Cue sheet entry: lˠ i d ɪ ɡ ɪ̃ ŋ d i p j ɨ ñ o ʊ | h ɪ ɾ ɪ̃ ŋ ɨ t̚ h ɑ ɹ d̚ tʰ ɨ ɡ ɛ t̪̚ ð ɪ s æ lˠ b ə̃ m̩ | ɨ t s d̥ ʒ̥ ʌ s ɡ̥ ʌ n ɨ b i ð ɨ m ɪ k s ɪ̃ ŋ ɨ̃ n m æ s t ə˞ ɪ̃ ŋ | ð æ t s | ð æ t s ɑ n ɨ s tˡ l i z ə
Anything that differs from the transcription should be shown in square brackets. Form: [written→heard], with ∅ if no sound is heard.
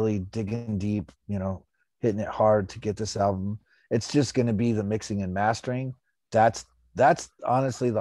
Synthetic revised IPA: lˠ i d ɪ ɡ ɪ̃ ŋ d i p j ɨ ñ o ʊ | h ɪ ɾ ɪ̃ ŋ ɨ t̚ h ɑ ɹ d̚ tʰ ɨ ɡ ɛ t̪̚ ð ɪ s æ lˠ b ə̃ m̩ | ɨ t s d̥ ʒ̥ ʌ s ɡ̥ ʌ n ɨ b i ð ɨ m ɪ k s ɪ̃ ŋ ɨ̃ n m æ s t ə˞ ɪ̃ ŋ | ð æ t s | ð æ t s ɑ n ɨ s tˡ l i [z→ð] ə